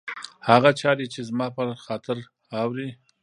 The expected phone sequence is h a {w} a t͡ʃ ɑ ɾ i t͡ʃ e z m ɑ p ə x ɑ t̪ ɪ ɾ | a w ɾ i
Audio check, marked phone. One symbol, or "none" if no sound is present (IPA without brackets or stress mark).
ɣ